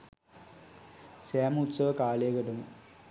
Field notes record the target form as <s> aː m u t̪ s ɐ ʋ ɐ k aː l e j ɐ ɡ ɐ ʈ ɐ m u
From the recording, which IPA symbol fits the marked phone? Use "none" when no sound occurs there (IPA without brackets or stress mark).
s